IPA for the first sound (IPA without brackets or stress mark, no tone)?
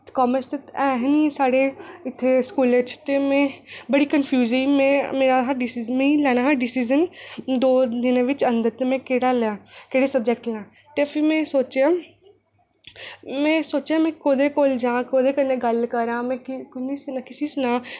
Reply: k